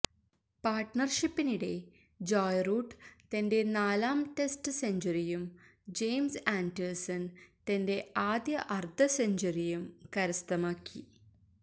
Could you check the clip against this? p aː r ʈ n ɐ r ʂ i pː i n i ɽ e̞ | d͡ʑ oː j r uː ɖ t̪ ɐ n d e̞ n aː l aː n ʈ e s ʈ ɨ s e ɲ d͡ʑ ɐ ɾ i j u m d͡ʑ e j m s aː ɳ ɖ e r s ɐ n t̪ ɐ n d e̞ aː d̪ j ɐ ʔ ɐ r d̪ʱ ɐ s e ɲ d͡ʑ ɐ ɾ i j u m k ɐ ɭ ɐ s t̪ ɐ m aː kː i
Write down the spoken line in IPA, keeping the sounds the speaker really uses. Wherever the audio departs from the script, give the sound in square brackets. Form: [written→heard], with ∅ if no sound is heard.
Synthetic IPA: p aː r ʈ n ɐ r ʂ i pː i n i ɽ e̞ | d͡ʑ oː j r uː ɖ t̪ ɐ n d e̞ n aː l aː [n→m] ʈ e s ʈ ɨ s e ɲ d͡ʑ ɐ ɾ i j u m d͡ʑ e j m s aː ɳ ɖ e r s ɐ n t̪ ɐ n d e̞ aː d̪ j ɐ ʔ ɐ r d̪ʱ ɐ s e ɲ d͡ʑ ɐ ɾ i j u m k ɐ [ɭ→ɾ] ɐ s t̪ ɐ m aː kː i